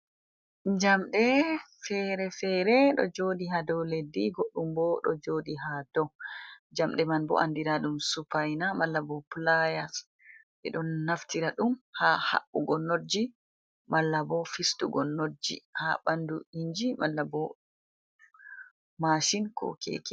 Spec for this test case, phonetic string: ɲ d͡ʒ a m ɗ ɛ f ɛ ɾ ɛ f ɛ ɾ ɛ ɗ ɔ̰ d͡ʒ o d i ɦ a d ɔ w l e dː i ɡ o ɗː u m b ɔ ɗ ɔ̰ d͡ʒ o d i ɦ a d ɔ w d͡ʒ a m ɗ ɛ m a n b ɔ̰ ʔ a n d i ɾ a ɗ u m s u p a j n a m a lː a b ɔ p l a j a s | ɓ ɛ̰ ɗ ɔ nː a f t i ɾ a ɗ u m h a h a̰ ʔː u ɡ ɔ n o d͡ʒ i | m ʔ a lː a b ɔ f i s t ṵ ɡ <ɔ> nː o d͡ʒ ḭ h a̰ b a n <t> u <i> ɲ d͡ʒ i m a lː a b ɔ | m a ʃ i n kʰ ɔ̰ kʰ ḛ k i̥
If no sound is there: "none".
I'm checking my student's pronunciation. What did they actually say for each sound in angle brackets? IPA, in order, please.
ɔ, d, i

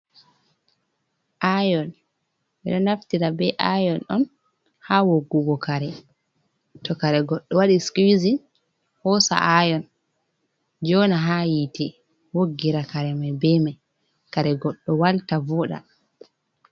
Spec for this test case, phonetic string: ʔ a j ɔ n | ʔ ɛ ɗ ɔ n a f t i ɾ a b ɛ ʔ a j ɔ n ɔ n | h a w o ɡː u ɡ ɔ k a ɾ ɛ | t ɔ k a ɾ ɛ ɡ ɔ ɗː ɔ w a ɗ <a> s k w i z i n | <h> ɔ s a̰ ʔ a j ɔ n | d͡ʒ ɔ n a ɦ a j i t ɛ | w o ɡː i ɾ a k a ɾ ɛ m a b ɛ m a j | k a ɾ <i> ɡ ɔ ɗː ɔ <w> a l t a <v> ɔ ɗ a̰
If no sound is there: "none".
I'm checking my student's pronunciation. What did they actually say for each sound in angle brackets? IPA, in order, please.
i, h, ɛ, w, v

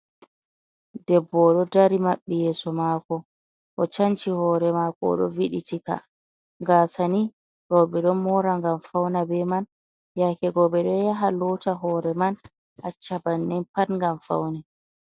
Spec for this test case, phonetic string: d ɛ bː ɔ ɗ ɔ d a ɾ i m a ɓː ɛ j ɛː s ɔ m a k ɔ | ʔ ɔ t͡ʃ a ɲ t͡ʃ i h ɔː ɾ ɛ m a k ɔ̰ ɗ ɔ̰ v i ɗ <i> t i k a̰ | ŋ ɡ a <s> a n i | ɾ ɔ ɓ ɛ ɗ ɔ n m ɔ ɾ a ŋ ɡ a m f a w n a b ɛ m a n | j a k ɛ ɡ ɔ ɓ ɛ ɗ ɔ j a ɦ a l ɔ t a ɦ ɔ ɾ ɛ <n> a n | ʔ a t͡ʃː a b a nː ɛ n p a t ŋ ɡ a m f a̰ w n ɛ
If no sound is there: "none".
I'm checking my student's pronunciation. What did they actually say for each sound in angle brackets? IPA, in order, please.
i, s, m

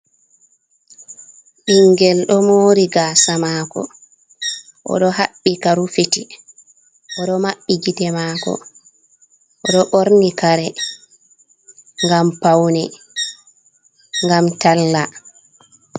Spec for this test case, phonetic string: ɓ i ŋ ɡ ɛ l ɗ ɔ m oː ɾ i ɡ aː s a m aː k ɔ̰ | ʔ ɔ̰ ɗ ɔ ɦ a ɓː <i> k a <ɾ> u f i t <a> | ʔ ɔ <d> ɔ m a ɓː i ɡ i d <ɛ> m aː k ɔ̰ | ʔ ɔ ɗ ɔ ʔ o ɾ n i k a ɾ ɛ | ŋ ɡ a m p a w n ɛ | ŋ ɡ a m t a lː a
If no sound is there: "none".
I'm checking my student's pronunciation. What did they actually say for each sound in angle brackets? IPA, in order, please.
i, ɾ, i, ɗ, ɛ

